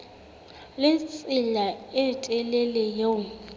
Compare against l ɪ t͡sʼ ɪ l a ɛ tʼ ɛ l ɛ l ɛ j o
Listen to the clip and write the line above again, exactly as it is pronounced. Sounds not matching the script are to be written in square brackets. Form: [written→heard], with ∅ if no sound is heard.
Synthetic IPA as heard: l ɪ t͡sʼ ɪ l a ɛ tʼ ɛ l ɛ l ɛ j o